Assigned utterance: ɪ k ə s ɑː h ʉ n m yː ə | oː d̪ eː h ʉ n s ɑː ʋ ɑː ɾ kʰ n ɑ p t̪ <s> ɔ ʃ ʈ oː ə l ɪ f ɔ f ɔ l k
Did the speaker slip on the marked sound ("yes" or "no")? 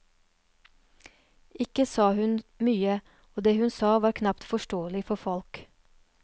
yes